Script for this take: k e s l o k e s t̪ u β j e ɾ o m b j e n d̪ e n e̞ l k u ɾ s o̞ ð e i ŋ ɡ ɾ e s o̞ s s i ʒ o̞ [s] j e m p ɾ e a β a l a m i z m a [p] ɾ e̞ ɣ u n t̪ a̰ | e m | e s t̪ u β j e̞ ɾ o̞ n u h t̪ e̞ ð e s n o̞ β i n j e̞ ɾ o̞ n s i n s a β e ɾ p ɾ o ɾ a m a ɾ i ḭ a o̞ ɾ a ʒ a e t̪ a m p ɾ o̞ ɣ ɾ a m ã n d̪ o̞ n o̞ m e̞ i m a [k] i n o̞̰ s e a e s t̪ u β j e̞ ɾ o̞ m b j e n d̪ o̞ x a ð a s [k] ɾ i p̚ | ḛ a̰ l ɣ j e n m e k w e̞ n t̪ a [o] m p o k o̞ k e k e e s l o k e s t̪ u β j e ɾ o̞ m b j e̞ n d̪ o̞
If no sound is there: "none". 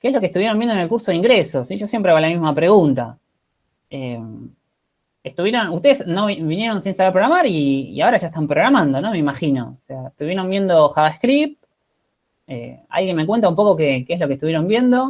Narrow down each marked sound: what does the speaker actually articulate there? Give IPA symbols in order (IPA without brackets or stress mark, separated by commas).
s, p, x, k, u